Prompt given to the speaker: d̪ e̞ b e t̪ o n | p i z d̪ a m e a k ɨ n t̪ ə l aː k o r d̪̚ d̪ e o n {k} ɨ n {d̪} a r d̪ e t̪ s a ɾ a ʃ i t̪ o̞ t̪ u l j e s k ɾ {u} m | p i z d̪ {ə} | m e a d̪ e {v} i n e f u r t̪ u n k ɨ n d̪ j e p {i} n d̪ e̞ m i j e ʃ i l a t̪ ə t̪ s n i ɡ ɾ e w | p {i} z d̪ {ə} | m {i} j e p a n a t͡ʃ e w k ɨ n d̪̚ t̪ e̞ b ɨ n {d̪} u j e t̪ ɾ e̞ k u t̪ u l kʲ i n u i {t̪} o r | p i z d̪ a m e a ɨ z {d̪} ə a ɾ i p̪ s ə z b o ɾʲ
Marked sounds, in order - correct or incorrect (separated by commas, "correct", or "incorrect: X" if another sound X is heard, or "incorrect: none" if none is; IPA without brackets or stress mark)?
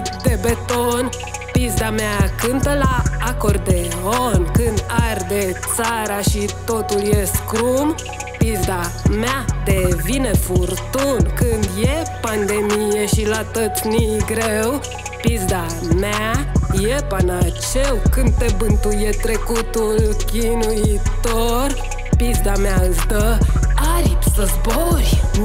correct, correct, correct, incorrect: a, correct, incorrect: a, correct, incorrect: a, incorrect: a, incorrect: t̪, correct, correct